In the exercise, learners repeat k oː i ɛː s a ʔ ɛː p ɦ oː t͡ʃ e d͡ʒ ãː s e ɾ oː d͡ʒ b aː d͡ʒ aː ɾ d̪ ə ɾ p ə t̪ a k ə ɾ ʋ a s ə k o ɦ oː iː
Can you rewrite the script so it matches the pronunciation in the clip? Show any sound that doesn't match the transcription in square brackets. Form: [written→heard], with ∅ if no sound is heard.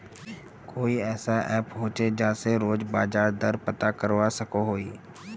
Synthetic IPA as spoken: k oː i ɛː s a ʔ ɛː p ɦ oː t͡ʃ e d͡ʒ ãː s e ɾ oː d͡ʒ b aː d͡ʒ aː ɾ d̪ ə ɾ p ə t̪ a k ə ɾ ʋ a s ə k o ɦ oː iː